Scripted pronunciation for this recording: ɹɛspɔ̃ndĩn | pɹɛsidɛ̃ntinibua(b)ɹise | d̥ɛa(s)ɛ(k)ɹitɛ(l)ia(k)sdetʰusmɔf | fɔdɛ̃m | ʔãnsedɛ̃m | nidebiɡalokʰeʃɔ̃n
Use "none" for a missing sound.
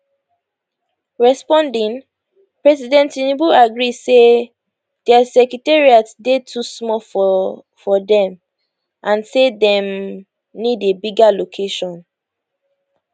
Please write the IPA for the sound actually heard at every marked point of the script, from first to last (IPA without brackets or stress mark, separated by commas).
ɡ, s, k, ɹ, t